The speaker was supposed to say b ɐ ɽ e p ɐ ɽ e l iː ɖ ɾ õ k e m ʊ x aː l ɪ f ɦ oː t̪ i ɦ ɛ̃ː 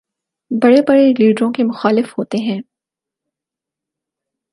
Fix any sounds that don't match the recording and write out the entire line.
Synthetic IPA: b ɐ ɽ e b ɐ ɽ e l iː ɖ ɾ õ k e m ʊ x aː l ɪ f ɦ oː t̪ e ɦ ɛ̃ː